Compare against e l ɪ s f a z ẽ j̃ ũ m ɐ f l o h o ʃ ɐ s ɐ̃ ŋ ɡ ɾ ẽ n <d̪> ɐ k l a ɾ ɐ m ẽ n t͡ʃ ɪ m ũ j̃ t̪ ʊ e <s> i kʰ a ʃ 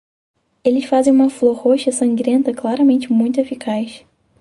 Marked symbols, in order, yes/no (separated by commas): no, no